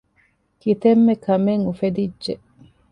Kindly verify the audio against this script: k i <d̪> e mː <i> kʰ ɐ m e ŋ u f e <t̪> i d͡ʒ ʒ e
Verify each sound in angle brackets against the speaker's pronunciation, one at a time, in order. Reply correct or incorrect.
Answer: incorrect: t̪, incorrect: e, incorrect: d̪

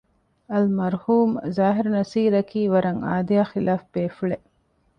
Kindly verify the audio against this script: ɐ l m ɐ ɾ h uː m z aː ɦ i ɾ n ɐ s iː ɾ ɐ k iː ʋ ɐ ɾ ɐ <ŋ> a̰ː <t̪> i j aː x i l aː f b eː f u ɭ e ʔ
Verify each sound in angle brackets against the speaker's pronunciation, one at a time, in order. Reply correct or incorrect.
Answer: correct, incorrect: d̪

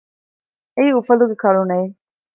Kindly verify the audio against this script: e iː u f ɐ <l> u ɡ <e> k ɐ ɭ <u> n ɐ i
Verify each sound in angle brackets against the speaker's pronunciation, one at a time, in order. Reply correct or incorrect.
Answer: correct, correct, correct

